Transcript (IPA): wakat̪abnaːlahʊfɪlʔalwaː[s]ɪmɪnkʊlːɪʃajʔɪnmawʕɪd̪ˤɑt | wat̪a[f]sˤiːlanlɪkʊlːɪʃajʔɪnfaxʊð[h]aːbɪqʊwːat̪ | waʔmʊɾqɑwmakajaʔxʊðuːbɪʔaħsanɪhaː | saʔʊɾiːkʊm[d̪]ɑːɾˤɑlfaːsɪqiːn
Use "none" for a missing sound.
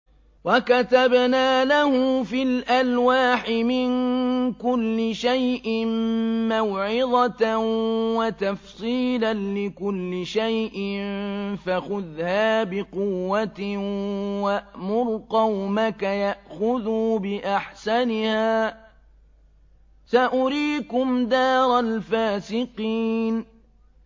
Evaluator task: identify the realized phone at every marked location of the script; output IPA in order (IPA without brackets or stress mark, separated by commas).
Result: ħ, f, h, d̪